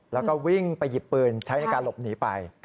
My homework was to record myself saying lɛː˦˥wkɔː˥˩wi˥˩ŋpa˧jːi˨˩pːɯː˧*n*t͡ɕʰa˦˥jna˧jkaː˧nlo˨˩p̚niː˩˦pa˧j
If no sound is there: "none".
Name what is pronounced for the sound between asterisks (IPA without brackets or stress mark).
n